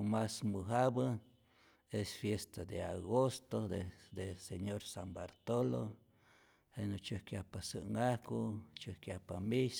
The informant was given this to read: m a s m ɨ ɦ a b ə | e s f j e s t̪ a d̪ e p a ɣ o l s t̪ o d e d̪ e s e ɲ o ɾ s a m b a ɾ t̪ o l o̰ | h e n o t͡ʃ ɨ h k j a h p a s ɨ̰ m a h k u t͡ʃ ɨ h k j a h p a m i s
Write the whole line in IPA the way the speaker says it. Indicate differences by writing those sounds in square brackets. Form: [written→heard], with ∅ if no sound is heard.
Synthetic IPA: m a s m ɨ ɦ a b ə | e s f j e s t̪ a d̪ e [p→∅] a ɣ o [l→∅] s t̪ o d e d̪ e s e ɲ o ɾ s a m b a ɾ t̪ o l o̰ | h e n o t͡ʃ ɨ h k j a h p a s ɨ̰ [m→ŋ] a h k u t͡ʃ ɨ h k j a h p a m i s